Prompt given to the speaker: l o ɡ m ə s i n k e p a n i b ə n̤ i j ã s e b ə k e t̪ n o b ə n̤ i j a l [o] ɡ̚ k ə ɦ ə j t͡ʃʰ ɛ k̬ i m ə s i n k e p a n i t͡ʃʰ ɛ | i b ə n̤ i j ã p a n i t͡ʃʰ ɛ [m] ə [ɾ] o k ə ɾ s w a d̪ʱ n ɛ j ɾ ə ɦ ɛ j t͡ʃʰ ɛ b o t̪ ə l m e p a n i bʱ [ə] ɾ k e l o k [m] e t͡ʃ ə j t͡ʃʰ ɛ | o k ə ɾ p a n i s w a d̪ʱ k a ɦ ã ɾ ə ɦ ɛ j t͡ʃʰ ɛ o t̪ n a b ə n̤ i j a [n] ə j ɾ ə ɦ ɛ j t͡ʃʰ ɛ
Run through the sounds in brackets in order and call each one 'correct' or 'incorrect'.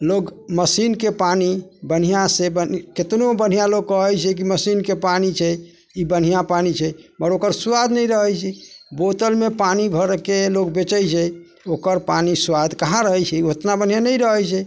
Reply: correct, correct, correct, correct, incorrect: b, correct

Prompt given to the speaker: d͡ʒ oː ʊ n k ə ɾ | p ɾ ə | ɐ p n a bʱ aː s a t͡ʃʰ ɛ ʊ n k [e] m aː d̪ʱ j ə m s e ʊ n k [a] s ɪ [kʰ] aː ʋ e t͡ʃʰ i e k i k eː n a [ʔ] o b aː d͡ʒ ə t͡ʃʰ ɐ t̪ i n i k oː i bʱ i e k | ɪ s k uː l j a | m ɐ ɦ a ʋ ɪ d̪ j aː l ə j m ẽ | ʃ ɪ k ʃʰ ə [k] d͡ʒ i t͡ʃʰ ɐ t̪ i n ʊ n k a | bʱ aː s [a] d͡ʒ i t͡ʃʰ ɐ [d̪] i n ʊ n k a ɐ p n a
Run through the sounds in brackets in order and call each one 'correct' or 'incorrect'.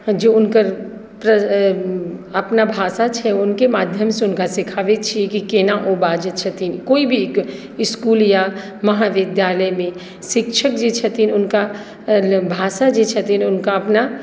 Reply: correct, correct, correct, correct, correct, correct, incorrect: t̪

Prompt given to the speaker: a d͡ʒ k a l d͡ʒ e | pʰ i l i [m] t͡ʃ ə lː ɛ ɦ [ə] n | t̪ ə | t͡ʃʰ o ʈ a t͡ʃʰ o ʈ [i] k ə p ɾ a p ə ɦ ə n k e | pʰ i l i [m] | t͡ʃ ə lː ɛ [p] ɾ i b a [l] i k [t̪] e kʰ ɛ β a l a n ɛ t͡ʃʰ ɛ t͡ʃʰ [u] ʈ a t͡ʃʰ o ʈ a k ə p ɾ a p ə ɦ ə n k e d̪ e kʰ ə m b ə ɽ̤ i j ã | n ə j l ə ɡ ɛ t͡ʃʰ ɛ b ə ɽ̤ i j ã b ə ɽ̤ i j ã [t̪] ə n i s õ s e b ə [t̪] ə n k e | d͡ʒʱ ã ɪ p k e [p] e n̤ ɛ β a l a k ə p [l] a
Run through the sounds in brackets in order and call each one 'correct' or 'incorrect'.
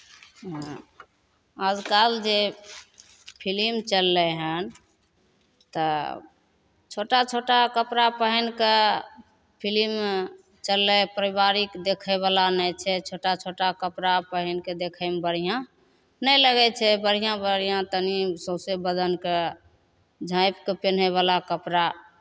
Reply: correct, correct, incorrect: a, correct, correct, incorrect: ɾ, incorrect: d̪, incorrect: o, correct, incorrect: d̪, correct, incorrect: ɾ

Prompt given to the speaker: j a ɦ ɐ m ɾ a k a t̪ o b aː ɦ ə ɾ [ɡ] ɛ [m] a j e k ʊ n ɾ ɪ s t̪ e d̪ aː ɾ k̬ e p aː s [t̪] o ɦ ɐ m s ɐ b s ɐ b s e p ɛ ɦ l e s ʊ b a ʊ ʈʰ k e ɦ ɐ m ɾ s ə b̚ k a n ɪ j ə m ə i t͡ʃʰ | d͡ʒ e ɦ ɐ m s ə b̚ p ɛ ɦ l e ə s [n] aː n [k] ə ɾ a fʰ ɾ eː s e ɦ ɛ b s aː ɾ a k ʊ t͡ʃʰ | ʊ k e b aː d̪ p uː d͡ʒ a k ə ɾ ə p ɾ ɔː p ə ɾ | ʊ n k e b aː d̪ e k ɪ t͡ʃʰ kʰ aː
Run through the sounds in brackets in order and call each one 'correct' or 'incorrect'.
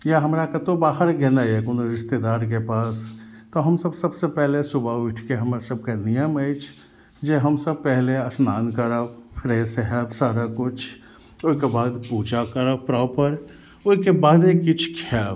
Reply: correct, incorrect: n, correct, correct, correct

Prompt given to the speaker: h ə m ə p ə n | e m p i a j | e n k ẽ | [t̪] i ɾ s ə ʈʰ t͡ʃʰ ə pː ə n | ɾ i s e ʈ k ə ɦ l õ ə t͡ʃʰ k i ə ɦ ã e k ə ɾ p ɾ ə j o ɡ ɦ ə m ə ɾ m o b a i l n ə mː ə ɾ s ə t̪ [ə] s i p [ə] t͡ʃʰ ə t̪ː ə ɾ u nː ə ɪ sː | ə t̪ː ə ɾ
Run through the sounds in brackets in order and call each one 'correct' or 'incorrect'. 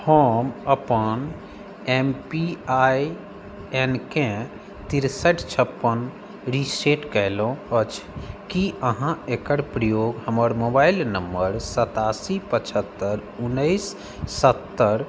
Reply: correct, incorrect: a, correct

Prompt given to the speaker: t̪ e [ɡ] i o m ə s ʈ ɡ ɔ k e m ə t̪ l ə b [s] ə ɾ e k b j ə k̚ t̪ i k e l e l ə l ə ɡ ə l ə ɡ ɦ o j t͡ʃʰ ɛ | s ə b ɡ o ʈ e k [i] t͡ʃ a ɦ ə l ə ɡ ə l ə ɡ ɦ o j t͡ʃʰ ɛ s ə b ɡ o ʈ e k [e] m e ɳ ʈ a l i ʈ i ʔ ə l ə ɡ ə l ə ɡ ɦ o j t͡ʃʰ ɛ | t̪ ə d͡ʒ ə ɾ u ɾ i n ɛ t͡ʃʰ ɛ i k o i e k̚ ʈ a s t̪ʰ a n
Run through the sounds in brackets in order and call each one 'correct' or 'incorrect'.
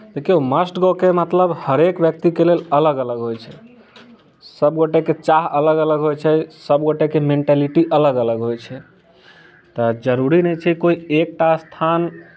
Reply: incorrect: k, incorrect: h, incorrect: e, correct

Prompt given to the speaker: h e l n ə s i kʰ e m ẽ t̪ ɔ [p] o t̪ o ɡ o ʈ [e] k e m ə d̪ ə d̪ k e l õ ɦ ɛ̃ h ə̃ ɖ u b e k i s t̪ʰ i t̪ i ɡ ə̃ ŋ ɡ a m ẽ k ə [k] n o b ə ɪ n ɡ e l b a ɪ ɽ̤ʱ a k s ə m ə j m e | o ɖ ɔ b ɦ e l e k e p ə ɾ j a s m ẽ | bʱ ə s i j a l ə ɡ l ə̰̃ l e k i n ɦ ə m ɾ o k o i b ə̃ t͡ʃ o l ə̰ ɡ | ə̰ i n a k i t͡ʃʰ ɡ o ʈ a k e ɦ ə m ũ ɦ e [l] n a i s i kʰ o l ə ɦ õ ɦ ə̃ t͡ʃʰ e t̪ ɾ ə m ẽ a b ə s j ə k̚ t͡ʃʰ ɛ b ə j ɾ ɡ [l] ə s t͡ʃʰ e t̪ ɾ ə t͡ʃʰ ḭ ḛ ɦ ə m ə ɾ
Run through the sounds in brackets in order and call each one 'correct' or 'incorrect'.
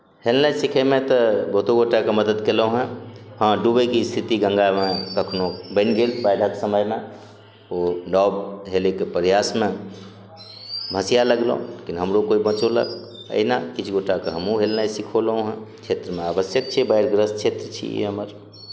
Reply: incorrect: b, incorrect: a, incorrect: kʰ, correct, incorrect: ɾ

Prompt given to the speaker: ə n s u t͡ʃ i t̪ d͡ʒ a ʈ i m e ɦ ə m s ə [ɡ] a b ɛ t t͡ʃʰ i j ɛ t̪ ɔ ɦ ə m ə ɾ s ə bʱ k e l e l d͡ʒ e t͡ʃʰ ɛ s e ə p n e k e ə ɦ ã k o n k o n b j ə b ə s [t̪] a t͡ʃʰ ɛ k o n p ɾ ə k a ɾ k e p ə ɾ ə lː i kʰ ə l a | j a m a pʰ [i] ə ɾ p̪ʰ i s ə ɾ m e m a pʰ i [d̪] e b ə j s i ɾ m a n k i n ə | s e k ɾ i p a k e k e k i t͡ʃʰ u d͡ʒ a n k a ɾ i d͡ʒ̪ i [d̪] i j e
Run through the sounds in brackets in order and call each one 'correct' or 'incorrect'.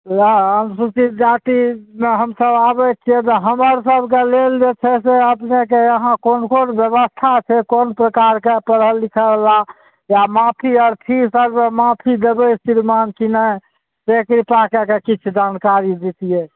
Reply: incorrect: b, incorrect: t̪ʰ, correct, correct, incorrect: t̪

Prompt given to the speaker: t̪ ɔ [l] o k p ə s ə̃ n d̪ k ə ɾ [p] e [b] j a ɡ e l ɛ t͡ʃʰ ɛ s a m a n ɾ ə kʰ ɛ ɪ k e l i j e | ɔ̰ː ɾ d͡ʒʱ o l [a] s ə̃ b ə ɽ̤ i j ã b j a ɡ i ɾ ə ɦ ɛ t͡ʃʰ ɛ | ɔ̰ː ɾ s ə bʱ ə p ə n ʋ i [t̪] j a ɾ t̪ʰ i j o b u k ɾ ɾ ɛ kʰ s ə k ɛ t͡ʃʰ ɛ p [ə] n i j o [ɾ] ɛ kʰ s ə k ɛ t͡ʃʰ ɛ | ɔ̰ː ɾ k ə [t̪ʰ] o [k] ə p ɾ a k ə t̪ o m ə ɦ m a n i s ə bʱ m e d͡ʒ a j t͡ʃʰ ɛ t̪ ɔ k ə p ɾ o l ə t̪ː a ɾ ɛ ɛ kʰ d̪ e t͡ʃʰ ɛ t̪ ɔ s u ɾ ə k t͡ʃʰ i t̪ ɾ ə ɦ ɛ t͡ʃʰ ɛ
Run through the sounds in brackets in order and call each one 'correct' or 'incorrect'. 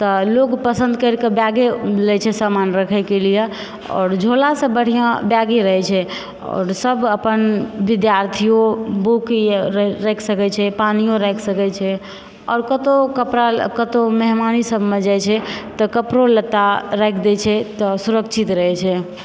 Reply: correct, incorrect: k, correct, correct, incorrect: d̪, incorrect: a, correct, incorrect: t̪, correct

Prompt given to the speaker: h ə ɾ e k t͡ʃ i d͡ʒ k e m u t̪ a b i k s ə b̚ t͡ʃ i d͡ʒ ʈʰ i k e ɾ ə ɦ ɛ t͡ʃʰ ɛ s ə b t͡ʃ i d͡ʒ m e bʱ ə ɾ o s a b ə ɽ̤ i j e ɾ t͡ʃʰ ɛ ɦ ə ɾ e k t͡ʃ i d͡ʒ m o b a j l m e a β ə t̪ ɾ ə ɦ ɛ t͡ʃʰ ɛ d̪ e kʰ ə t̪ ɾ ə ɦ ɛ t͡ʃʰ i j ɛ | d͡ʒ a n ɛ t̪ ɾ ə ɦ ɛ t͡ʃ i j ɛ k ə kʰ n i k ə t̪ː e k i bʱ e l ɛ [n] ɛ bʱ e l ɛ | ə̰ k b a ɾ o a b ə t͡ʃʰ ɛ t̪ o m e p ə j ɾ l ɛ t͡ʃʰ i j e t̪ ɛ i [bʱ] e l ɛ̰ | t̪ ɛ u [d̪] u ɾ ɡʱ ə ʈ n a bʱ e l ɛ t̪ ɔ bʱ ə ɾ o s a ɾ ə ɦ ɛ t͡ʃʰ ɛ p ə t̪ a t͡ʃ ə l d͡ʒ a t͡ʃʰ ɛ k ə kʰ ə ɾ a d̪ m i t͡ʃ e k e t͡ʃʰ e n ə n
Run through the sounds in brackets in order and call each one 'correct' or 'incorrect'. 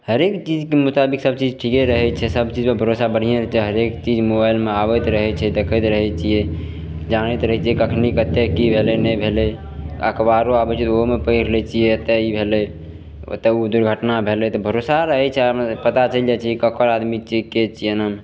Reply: correct, correct, correct

